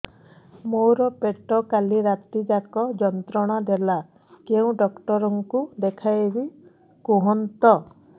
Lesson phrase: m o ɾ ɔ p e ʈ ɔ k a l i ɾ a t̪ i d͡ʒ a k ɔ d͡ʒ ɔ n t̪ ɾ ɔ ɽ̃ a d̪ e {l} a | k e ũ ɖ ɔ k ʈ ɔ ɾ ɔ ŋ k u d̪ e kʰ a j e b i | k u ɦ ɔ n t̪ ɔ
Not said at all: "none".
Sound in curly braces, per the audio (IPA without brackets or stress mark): l